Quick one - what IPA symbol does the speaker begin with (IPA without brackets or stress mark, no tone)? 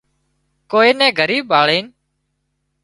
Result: k